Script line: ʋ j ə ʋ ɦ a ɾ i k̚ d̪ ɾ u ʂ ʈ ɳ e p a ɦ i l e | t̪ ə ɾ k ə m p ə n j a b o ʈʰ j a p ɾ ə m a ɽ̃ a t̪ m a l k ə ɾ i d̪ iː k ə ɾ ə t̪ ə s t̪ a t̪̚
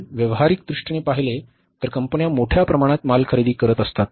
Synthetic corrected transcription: ʋ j ə ʋ ɦ a ɾ i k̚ d̪ ɾ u ʂ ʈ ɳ e p a ɦ i l e | t̪ ə ɾ k ə m p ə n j a m o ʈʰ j a p ɾ ə m a ɽ̃ a t̪ m a l kʰ ə ɾ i d̪ iː k ə ɾ ə t̪ ə s t̪ a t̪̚